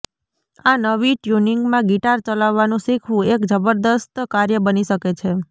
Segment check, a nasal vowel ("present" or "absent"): present